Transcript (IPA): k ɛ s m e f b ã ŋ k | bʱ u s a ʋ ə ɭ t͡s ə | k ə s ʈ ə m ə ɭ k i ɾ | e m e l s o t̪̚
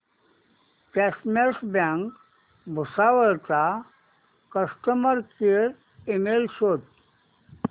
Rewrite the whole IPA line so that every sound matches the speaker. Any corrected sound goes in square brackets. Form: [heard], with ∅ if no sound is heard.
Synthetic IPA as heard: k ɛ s m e [s] b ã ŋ k | bʱ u s a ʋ ə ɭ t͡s [a] | k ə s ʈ ə m ə [ɾ] k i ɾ | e m e l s o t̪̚